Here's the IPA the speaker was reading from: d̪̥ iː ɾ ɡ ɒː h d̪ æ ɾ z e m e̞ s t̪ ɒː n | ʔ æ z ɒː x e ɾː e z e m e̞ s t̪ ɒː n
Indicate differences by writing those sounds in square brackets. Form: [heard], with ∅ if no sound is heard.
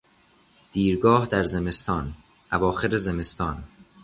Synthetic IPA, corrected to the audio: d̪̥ iː ɾ ɡ ɒː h d̪ æ ɾ z e m e̞ s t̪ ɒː n | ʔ æ [v] ɒː x e [ɾ] e z e m e̞ s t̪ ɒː n